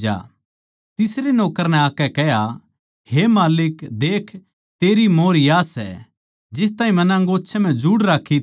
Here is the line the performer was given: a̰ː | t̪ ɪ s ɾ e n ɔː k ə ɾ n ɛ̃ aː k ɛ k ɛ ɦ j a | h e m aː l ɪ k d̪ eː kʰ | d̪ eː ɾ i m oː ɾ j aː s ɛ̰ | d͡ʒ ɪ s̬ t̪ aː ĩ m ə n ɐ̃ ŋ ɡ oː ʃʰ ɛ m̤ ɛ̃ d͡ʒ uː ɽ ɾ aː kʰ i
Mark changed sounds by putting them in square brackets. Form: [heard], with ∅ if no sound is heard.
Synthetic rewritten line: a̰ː | t̪ ɪ s ɾ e n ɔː k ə ɾ n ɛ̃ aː k ɛ k ɛ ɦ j a | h e m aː l ɪ k d̪ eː kʰ | [t̪] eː ɾ i m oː ɾ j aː s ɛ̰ | d͡ʒ ɪ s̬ t̪ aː ĩ m [ɐ] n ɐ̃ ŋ ɡ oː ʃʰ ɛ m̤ ɛ̃ d͡ʒ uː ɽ ɾ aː kʰ i